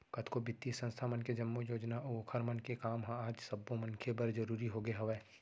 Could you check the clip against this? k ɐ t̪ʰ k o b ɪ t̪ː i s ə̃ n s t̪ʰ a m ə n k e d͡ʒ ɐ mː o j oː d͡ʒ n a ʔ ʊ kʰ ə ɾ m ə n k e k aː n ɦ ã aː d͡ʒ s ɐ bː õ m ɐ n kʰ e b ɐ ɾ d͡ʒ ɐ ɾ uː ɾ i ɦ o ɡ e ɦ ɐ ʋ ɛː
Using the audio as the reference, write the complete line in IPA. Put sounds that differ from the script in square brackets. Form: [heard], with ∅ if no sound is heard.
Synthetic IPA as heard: k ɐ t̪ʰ k o b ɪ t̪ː i s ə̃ n s t̪ʰ a m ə n k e d͡ʒ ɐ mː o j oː d͡ʒ n a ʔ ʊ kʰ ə ɾ m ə n k e k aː [m] ɦ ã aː d͡ʒ s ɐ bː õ m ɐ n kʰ e b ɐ ɾ d͡ʒ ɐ ɾ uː ɾ i ɦ o ɡ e ɦ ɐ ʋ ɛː